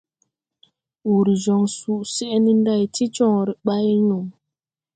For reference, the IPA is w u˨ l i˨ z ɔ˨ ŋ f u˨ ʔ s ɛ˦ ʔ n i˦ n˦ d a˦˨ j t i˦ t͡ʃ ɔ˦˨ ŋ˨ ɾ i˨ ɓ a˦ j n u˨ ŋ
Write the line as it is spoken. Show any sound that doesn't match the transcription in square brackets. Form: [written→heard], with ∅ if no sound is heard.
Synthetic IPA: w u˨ [l→ɾ] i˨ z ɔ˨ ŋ [f→s] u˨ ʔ s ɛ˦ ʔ n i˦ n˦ d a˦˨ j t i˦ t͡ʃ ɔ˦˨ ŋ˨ ɾ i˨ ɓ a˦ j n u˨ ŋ